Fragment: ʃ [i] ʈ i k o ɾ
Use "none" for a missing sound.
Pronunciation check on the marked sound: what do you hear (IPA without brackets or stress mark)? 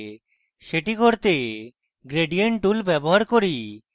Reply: e